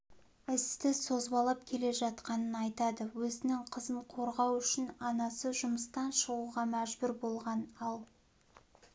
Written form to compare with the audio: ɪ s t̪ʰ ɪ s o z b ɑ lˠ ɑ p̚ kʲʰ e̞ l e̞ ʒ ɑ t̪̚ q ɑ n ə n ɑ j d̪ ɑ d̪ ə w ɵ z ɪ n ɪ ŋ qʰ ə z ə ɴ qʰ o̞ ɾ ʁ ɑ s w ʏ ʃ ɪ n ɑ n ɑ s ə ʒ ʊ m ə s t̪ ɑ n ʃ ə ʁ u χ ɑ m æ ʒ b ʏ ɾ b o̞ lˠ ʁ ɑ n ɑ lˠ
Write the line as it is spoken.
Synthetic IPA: ɪ s t̪ ɪ s o z b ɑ lˠ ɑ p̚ kʲʰ e̞ l e̞ ʒ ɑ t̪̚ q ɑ n ə n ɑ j t̪ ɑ d̪ ə w ɵ z ɪ n ɪ ŋ qʰ ə z ə ɴ qʰ o̞ ɾ ʁ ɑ w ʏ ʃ ɪ n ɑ n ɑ s ə ʒ ʊ m ə s t̪ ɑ n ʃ ə ʁ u ʁ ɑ m æ ʒ b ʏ ɾ b o̞ lˠ ʁ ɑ n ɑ lˠ